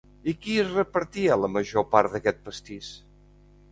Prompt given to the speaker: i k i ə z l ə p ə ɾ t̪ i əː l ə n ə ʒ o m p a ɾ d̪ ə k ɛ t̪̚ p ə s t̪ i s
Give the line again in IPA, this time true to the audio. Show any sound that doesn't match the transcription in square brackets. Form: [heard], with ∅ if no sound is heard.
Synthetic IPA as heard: i k i ə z [r] ə p ə ɾ t̪ i [ə] l ə [m] ə ʒ o [∅] p a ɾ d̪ ə k ɛ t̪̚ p ə s t̪ i s